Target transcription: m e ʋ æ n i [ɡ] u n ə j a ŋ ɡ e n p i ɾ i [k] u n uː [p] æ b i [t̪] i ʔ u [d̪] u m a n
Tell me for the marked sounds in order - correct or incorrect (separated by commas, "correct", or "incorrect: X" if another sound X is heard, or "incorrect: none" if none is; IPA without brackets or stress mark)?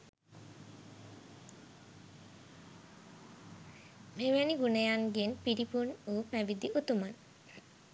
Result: correct, incorrect: p, correct, incorrect: d̪, incorrect: t̪